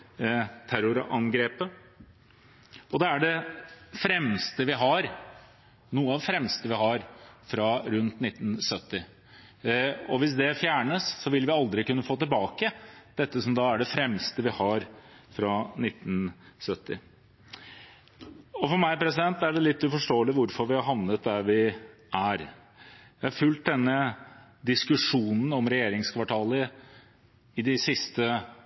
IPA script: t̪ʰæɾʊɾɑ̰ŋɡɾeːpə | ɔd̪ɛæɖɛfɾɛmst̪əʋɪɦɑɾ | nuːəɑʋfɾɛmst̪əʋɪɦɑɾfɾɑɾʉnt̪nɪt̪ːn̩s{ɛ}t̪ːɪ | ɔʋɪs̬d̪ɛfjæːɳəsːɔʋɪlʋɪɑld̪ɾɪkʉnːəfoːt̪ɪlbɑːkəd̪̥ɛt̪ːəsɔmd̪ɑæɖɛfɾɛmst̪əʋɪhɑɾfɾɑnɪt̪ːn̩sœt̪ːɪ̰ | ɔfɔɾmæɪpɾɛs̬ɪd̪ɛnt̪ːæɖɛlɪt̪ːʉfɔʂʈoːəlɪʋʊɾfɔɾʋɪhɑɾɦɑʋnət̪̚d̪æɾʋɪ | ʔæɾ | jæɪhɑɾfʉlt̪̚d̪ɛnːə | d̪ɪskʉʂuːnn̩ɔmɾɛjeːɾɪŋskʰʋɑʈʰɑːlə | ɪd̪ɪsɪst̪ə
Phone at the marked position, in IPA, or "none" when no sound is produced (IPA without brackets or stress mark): œ